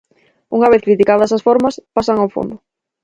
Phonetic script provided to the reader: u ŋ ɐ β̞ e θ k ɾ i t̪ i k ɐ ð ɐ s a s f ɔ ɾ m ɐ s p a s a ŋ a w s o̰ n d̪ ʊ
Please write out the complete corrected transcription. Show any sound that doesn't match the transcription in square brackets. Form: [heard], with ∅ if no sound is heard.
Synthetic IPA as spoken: u ŋ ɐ β̞ e θ k ɾ i t̪ i k [a] ð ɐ s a s f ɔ ɾ m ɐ s p a s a ŋ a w [f] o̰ n d̪ ʊ